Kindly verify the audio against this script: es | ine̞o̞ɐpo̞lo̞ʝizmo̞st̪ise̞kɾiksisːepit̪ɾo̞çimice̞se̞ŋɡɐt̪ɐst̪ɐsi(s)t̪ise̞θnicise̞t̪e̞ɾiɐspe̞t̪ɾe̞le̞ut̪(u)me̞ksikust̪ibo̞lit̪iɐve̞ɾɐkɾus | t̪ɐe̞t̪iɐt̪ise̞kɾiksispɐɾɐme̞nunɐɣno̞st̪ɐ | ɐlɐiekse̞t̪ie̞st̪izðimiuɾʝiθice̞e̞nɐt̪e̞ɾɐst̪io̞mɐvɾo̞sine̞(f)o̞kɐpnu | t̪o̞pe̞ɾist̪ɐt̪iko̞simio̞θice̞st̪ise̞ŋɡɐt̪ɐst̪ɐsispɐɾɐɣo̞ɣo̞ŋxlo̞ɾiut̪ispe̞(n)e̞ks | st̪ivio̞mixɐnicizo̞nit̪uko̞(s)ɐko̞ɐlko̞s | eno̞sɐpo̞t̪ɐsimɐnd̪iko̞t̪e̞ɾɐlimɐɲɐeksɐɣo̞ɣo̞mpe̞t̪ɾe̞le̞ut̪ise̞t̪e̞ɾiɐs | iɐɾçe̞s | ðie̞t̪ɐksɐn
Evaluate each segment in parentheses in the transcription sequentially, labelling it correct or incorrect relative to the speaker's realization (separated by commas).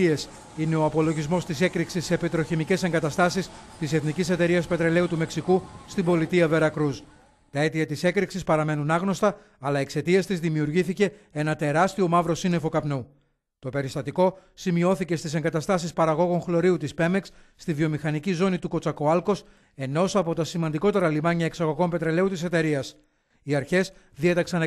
correct, correct, correct, incorrect, incorrect